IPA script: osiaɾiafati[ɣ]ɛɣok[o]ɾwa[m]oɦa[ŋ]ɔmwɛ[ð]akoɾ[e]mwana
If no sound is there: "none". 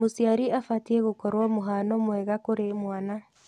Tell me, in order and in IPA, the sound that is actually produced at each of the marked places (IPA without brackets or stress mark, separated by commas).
none, ɔ, m, n, ɣ, e